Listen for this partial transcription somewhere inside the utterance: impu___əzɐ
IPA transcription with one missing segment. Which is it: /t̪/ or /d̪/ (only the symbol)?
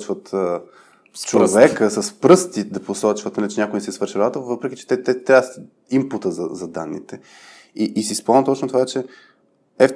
t̪